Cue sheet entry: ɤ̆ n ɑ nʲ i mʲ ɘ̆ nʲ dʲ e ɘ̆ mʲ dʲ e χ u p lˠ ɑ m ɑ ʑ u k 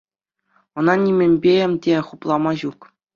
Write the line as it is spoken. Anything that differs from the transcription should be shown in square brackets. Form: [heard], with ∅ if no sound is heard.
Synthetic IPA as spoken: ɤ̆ n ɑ nʲ i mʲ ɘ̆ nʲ [bʲ] e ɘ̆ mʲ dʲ e χ u p lˠ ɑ m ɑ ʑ u k